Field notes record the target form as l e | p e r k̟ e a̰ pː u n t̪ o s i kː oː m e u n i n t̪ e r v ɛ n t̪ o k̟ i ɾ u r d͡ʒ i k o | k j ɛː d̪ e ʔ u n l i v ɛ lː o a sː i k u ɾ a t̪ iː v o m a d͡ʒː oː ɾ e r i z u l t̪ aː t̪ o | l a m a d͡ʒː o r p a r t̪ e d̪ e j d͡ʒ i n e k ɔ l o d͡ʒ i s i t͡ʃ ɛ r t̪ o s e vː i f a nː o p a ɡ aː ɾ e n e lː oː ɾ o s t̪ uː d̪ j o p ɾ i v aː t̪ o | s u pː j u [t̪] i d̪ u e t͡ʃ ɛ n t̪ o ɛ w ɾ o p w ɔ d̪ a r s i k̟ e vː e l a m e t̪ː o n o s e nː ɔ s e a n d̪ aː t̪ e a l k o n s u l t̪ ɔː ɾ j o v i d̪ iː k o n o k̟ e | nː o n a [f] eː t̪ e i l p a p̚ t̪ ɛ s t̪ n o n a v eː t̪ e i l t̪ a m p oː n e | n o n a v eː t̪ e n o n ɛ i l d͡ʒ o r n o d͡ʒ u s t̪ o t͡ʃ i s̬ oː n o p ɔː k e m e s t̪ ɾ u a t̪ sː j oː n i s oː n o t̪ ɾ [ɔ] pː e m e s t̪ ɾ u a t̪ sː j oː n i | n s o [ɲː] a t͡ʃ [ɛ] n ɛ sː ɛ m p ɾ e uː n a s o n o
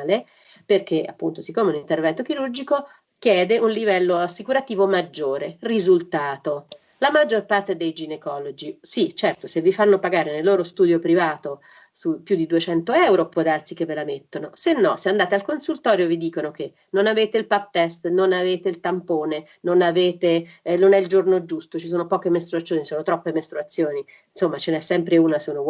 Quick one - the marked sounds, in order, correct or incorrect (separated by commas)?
incorrect, incorrect, correct, incorrect, incorrect